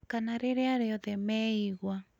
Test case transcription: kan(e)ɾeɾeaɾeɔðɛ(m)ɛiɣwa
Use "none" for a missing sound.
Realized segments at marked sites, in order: a, m

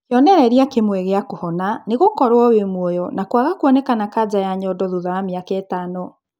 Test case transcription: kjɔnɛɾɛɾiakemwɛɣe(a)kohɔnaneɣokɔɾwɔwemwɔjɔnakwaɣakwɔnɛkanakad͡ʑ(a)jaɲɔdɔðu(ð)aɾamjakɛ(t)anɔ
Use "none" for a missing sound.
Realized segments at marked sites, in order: a, a, ð, t

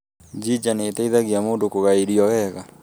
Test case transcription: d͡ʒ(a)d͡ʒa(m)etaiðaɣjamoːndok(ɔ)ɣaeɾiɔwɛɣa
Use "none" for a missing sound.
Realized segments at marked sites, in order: i, n, o

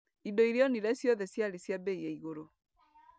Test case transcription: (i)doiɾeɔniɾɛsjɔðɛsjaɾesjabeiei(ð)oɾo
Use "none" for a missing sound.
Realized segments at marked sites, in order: i, ɣ

